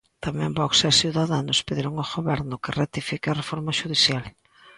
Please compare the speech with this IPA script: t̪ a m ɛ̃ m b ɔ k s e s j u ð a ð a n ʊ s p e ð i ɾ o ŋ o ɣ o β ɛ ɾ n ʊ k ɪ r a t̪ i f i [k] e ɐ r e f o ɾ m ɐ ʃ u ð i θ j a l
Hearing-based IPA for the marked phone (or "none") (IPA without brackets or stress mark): k